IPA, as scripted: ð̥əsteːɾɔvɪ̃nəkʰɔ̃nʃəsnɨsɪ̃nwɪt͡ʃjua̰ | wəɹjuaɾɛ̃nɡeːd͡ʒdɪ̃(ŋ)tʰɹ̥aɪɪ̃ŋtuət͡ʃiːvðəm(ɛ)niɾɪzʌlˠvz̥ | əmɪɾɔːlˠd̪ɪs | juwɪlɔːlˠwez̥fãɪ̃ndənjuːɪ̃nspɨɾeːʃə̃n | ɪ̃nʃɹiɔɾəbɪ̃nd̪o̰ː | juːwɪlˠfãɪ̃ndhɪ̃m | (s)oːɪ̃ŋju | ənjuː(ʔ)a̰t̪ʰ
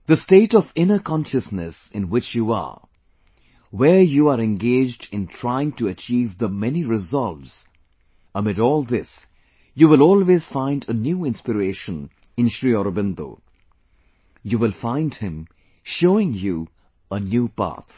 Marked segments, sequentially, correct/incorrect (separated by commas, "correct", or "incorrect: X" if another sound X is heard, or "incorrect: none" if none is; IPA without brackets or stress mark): incorrect: n, correct, incorrect: ʃ, incorrect: p